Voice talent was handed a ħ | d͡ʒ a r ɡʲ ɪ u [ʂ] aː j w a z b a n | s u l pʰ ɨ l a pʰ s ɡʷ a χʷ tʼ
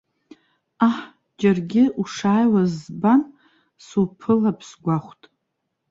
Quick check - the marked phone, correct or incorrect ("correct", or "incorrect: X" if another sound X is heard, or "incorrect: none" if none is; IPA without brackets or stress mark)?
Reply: correct